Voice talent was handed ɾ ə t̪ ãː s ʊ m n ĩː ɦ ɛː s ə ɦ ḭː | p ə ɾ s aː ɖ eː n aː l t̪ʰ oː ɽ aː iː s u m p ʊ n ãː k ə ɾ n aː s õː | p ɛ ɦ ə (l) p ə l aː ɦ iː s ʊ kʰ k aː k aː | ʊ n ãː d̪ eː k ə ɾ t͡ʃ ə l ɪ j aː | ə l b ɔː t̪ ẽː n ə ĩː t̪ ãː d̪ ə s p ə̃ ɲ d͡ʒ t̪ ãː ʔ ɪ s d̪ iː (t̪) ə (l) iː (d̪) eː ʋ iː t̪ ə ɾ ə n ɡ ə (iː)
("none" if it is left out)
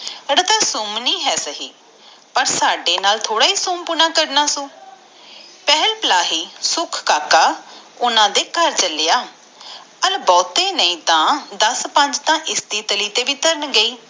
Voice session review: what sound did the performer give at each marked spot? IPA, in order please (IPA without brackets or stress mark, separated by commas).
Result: l, t̪, l, t̪, iː